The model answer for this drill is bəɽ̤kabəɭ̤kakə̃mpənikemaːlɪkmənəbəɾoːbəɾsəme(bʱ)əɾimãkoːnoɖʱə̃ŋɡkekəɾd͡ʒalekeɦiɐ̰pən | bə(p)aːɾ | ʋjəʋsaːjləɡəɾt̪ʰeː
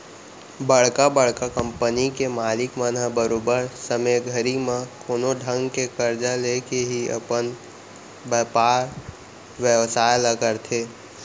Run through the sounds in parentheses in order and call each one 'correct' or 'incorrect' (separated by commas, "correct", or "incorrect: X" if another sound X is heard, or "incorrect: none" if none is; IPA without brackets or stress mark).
incorrect: ɡʱ, correct